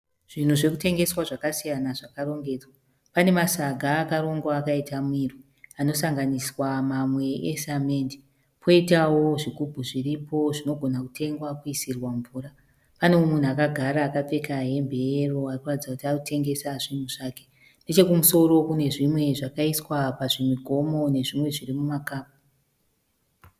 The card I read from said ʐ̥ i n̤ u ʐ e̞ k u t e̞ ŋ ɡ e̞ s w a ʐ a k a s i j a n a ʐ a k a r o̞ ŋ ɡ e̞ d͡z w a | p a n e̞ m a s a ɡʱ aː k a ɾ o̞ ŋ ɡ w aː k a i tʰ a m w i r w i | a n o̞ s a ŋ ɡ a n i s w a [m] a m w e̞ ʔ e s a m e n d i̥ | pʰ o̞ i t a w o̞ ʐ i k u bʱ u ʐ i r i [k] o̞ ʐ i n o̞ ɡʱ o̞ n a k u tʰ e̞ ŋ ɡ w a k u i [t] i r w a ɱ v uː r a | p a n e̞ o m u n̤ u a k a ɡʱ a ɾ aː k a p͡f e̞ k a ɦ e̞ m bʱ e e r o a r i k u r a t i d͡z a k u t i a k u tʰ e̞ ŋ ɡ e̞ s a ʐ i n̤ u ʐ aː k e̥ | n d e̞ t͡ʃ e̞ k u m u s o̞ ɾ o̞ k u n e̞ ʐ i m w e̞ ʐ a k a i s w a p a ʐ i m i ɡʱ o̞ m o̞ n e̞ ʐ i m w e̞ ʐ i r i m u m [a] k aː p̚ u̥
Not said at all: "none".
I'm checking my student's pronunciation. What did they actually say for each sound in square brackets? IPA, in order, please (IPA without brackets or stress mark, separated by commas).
m, p, s, a